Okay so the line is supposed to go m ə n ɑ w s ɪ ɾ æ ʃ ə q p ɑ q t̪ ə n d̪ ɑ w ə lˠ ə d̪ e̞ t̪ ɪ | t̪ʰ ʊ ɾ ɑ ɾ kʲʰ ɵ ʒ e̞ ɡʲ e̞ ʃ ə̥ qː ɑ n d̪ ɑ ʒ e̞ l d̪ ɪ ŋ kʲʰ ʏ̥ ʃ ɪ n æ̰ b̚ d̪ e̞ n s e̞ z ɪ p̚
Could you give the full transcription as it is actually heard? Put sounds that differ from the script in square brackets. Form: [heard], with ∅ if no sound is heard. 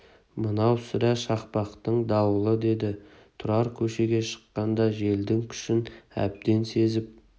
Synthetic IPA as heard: m ə n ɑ w s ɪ ɾ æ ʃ [ɑ] q p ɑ q t̪ ə [ɴ] d̪ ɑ w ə lˠ ə d̪ e̞ [d̪] ɪ | t̪ʰ ʊ ɾ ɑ ɾ kʲʰ ɵ [ʃ] e̞ ɡʲ e̞ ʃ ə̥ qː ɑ n d̪ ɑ ʒ e̞ l d̪ ɪ ŋ kʲʰ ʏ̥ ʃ ɪ n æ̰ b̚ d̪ e̞ n s e̞ z ɪ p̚